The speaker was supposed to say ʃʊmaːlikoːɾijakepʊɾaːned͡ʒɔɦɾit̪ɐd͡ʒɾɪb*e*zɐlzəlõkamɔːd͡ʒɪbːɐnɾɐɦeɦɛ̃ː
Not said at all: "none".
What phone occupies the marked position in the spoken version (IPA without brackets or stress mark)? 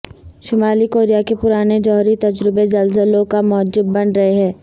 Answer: e